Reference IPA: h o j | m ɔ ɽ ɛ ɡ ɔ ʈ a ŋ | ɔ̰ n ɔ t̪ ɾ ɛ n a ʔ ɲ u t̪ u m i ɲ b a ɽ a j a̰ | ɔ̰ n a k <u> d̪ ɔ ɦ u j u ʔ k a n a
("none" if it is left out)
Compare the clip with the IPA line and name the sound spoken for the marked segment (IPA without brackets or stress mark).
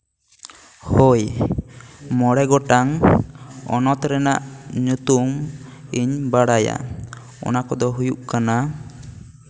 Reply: ɔ